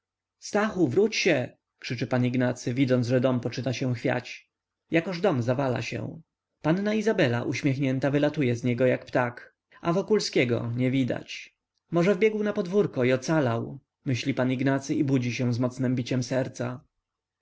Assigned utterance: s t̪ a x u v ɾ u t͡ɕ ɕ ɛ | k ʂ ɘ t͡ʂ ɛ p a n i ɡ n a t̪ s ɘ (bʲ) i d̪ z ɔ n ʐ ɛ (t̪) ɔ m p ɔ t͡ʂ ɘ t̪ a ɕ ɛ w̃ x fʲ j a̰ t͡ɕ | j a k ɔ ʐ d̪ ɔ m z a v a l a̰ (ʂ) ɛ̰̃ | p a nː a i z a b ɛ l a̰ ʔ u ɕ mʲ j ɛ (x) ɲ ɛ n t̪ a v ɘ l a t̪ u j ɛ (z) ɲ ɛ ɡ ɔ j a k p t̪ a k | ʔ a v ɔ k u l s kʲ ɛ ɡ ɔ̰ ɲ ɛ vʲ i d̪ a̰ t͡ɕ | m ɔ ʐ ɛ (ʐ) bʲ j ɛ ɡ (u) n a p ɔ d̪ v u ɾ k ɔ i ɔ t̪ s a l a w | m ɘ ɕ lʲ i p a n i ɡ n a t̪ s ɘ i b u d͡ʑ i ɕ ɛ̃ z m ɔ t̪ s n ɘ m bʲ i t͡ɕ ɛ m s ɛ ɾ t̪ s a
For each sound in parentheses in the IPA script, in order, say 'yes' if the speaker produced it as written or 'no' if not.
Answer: no, no, no, yes, yes, no, no

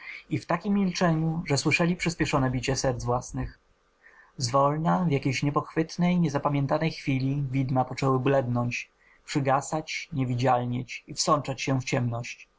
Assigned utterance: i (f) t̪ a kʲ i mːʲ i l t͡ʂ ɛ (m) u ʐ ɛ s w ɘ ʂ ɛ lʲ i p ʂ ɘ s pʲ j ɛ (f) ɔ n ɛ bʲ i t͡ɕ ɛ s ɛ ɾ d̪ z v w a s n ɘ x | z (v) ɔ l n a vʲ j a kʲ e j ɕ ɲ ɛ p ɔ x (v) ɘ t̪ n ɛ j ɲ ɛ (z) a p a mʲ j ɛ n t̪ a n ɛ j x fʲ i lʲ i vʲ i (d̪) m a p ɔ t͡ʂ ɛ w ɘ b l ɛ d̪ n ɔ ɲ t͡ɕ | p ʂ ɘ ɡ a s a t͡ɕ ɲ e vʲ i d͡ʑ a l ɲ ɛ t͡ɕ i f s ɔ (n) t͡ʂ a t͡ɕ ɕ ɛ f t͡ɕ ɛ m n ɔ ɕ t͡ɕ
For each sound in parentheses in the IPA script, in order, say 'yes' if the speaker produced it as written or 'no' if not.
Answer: yes, no, no, yes, no, yes, yes, yes

